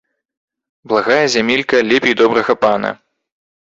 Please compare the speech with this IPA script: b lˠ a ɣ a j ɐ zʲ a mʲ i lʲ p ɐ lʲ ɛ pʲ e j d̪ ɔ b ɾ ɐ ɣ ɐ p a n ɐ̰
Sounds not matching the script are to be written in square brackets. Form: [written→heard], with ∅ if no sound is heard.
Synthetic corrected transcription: b lˠ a ɣ a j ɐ zʲ a mʲ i lʲ [p→k] ɐ lʲ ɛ pʲ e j d̪ ɔ b ɾ ɐ ɣ ɐ p a n ɐ̰

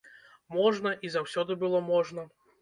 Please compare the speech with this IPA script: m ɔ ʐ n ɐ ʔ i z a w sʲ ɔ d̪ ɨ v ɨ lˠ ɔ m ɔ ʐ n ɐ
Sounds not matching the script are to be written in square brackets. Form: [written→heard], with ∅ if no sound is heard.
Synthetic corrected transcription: m ɔ ʐ n ɐ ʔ i z a w sʲ ɔ d̪ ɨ [v→b] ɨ lˠ ɔ m ɔ ʐ n ɐ

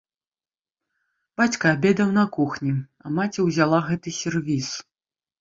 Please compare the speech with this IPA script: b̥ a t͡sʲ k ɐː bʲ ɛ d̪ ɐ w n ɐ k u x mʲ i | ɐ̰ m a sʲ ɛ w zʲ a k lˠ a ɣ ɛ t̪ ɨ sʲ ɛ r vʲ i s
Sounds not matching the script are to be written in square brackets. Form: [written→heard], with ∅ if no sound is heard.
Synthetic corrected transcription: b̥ a t͡sʲ k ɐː bʲ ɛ d̪ ɐ w n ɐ k u x [mʲ→nʲ] i | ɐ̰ m a [sʲ→t͡sʲ] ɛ w zʲ a [k→∅] lˠ a ɣ ɛ t̪ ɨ sʲ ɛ r vʲ i s

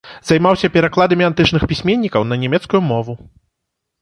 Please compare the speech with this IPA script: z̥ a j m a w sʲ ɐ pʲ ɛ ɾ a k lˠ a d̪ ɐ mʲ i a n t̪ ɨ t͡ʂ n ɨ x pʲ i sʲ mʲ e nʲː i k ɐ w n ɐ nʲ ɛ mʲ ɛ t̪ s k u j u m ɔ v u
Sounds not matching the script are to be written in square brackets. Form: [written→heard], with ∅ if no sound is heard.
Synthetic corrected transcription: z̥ a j m a w sʲ ɐ pʲ ɛ ɾ a k lˠ a d̪ ɐ mʲ i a n t̪ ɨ t͡ʂ n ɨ x pʲ i sʲ mʲ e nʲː i k ɐ w n ɐ nʲ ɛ mʲ ɛ t̪ s k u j u m ɔ v u

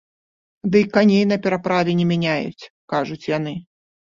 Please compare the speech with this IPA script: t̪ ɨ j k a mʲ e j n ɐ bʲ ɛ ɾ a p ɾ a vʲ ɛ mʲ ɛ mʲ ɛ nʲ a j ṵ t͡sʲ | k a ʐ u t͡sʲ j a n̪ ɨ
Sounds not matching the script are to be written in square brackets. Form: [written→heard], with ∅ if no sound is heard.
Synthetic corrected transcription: [t̪→d̪] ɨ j k a [mʲ→nʲ] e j n ɐ [bʲ→pʲ] ɛ ɾ a p ɾ a vʲ ɛ [mʲ→nʲ] ɛ mʲ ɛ nʲ a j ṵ t͡sʲ | k a ʐ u t͡sʲ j a n̪ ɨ

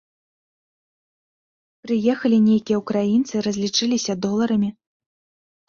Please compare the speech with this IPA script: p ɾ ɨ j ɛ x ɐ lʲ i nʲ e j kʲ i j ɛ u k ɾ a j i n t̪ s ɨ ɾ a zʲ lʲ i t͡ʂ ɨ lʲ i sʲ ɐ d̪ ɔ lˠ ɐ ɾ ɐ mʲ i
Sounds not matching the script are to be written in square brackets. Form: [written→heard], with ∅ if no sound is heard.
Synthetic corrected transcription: p ɾ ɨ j ɛ x ɐ lʲ i nʲ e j kʲ i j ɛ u k ɾ a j i n t̪ s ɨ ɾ [a→ɐ] zʲ lʲ i t͡ʂ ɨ lʲ i sʲ ɐ d̪ ɔ lˠ ɐ ɾ ɐ mʲ i

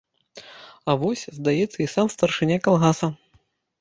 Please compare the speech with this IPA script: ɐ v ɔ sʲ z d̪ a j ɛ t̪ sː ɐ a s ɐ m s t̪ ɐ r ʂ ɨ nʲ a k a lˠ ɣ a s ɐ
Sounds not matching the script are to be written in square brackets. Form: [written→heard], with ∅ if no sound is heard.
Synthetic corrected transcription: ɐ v ɔ sʲ z d̪ a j ɛ t̪ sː ɐ [a→i] s [ɐ→a] m s t̪ ɐ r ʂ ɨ nʲ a k a lˠ ɣ a s ɐ

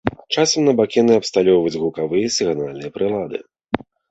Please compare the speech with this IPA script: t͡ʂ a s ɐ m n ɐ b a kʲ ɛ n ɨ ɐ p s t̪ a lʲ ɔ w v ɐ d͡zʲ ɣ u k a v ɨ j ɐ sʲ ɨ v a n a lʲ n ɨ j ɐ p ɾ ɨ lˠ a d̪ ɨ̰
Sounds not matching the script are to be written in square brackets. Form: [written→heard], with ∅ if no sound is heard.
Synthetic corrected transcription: t͡ʂ a s ɐ m n ɐ b a kʲ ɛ n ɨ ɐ p s t̪ a lʲ ɔ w v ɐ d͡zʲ ɣ u k a v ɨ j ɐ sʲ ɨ [v→ɣ] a n a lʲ n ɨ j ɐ p ɾ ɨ lˠ a d̪ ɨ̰

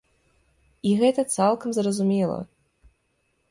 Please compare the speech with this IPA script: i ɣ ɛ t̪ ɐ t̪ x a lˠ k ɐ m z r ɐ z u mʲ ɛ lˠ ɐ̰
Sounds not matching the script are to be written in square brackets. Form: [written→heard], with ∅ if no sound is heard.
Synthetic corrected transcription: i ɣ ɛ t̪ ɐ t̪ [x→s] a lˠ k ɐ m z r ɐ z u mʲ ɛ lˠ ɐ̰

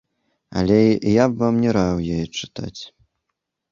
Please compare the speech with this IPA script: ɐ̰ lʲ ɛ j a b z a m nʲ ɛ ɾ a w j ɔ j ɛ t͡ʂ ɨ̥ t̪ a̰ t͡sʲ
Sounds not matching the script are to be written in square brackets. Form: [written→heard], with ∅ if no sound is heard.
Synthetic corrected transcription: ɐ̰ lʲ ɛ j a b [z→v] a m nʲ ɛ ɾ a w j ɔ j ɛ t͡ʂ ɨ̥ t̪ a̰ t͡sʲ

